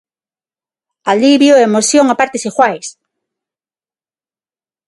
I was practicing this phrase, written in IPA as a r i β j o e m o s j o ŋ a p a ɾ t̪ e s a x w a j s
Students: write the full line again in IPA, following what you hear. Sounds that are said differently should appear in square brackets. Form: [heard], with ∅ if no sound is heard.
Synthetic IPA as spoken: a [l] i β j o e m o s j o ŋ a p a ɾ t̪ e s [i] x w a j s